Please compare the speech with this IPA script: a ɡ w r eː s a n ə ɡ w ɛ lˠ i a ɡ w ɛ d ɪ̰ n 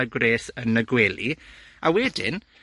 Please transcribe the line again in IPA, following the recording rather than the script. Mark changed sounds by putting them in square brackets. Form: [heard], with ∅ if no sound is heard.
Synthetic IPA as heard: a ɡ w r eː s [ə] n ə ɡ w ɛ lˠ i a [∅] w ɛ d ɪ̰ n